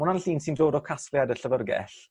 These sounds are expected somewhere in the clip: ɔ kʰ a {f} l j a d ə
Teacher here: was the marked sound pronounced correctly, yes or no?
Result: no